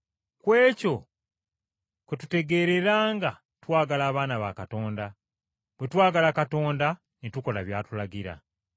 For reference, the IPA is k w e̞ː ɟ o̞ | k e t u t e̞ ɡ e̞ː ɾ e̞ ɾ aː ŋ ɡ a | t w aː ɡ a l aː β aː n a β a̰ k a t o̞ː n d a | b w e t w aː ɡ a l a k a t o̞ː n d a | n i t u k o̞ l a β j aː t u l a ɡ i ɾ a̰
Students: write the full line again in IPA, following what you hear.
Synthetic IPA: k w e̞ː c o̞ | k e t u t e̞ ɡ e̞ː ɾ e̞ ɾ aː ŋ ɡ a | t w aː ɡ a l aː β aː n a β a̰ k a t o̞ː n d a | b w e t w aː ɡ a l a k a t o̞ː n d a | n i t u k o̞ l a β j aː t u l a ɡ i ɾ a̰